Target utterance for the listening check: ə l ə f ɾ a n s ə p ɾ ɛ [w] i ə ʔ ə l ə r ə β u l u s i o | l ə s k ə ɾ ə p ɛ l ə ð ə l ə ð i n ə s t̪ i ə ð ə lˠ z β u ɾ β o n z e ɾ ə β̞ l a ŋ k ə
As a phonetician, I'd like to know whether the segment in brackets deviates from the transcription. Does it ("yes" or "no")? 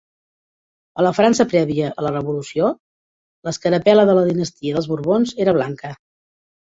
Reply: yes